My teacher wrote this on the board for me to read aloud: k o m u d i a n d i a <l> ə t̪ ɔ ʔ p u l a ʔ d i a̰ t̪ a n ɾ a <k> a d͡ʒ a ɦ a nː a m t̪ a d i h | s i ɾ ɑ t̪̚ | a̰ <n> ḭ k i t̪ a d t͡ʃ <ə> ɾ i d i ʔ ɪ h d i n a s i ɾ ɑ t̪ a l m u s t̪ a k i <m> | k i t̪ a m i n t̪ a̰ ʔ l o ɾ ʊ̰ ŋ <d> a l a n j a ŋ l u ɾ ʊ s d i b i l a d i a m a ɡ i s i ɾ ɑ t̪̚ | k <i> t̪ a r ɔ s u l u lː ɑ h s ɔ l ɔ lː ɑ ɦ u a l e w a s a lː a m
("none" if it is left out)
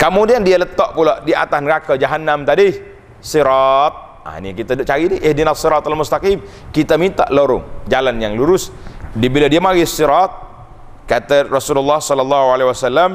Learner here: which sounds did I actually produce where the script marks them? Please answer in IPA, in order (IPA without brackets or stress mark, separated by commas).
l, k, n, a, m, d͡ʒ, a